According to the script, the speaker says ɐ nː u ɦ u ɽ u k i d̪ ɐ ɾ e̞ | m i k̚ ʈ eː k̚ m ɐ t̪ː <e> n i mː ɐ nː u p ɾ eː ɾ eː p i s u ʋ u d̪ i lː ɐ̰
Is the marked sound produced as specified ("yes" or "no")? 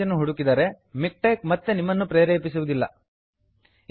yes